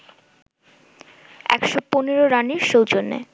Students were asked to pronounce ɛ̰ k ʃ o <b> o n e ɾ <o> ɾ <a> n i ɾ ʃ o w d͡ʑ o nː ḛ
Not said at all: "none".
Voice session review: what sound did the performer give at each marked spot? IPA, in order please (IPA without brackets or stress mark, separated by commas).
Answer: p, o, a